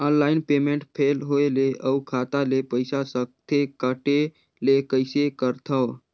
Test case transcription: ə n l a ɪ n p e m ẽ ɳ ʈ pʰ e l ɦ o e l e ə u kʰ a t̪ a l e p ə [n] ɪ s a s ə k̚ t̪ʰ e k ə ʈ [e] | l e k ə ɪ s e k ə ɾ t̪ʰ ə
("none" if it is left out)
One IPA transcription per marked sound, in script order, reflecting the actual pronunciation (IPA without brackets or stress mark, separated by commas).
none, e